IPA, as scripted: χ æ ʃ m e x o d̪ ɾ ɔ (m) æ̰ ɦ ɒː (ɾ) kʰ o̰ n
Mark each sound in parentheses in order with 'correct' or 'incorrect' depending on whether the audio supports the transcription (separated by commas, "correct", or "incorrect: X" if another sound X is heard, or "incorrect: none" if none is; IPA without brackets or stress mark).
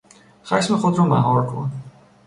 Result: correct, correct